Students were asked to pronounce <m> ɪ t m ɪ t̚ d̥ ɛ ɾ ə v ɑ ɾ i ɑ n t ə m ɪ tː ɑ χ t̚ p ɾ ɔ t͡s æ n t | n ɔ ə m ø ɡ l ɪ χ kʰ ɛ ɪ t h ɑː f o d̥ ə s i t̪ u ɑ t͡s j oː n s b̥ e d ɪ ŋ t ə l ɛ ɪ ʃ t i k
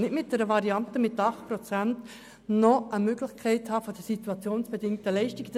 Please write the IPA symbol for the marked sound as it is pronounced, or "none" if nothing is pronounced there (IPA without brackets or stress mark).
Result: n